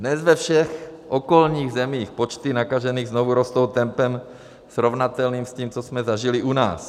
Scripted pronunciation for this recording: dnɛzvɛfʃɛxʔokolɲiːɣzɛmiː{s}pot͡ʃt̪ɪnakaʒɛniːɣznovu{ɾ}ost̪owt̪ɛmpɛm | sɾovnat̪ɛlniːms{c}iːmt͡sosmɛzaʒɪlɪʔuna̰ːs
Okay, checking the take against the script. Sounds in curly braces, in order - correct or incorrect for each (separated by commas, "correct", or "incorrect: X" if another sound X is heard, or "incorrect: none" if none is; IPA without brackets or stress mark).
incorrect: x, correct, correct